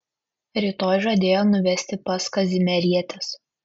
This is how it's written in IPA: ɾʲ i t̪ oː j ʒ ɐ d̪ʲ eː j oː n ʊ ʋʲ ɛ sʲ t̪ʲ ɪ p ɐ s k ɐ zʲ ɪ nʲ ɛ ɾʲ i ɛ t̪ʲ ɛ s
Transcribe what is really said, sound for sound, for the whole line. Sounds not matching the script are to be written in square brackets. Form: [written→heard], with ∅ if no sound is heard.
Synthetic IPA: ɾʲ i t̪ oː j ʒ ɐ d̪ʲ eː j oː n ʊ ʋʲ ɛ sʲ t̪ʲ ɪ p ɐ s k ɐ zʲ ɪ [nʲ→mʲ] ɛ ɾʲ i ɛ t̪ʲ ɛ s